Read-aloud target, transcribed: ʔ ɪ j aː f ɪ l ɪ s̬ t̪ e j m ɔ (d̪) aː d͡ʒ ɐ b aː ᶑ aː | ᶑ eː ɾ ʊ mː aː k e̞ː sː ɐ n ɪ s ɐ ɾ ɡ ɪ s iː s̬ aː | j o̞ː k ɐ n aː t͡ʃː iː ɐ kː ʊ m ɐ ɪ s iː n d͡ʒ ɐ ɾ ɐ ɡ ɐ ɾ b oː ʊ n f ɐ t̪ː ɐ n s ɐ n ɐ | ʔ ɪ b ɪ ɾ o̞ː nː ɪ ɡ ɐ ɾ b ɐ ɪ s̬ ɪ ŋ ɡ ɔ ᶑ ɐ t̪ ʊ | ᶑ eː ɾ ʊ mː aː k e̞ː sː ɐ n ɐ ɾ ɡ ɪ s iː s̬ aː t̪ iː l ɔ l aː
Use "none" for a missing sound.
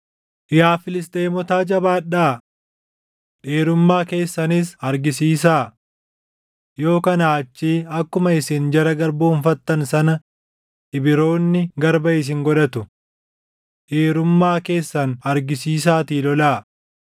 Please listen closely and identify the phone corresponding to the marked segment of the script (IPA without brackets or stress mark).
t̪